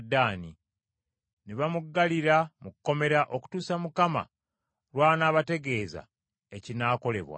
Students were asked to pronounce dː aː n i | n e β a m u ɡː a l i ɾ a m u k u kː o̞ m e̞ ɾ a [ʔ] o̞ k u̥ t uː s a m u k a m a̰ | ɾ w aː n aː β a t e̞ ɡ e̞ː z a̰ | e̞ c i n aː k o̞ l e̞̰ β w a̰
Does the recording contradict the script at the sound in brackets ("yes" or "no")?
no